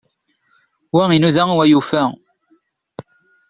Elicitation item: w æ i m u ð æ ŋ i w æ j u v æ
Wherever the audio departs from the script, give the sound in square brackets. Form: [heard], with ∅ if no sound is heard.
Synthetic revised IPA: w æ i [n] u ð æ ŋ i w æ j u [f] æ